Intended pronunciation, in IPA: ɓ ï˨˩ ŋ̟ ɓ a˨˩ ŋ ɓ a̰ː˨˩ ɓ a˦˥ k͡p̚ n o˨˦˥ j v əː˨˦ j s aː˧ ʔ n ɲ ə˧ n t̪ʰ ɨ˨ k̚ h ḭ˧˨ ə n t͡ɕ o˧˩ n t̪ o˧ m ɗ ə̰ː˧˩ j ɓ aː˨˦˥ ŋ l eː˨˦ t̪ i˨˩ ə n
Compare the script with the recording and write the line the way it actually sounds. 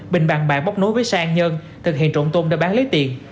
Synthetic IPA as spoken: ɓ ï˨˩ ŋ̟ ɓ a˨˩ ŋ ɓ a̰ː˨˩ ɓ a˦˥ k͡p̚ n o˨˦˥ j v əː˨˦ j s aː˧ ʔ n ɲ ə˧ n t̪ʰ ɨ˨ k̚ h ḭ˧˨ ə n t͡ɕ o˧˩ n t̪ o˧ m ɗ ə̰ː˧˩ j ɓ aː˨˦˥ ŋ l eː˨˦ t̪ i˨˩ ə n